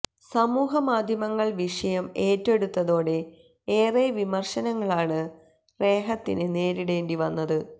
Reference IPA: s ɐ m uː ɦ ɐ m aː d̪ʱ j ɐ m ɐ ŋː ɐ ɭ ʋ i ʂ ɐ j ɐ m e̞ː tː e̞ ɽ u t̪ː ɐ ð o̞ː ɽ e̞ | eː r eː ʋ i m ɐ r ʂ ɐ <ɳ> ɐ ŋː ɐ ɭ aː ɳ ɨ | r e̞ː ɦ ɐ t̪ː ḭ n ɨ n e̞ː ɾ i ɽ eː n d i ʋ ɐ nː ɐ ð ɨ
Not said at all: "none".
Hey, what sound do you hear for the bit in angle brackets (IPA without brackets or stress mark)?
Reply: n